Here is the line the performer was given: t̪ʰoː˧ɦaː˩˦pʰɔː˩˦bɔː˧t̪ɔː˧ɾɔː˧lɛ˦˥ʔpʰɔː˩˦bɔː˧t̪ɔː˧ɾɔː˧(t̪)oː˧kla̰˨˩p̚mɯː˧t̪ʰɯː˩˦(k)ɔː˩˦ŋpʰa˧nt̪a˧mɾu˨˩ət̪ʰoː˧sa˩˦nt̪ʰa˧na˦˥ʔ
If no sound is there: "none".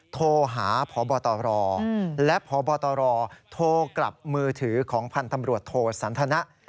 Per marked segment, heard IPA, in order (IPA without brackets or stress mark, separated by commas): t̪ʰ, kʰ